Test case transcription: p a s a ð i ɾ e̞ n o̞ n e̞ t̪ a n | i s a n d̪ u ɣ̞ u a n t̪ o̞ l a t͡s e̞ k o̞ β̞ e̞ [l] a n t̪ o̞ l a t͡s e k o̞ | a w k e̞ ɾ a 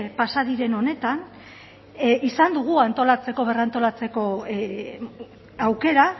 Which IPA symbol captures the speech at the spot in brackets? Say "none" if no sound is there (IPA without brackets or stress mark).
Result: r